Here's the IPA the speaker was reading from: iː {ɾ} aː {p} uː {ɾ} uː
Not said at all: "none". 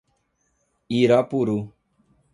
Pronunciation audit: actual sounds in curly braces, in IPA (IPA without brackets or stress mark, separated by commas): ɾ, p, ɾ